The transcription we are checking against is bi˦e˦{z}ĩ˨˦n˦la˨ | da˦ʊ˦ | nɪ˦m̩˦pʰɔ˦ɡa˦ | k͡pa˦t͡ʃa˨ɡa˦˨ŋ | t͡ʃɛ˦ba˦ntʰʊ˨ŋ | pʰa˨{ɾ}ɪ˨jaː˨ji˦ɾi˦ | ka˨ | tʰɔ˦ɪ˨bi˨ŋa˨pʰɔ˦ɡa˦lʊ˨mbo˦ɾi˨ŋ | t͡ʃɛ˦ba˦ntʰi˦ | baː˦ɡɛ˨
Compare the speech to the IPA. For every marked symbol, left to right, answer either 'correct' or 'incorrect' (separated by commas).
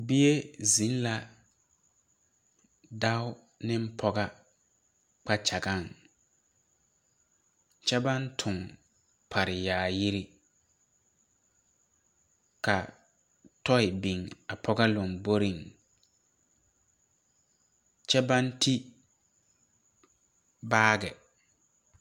correct, correct